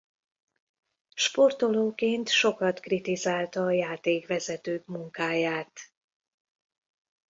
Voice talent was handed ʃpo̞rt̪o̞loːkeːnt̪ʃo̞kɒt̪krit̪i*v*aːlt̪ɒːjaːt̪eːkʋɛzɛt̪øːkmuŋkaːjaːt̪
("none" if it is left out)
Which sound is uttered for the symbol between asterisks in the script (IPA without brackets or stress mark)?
z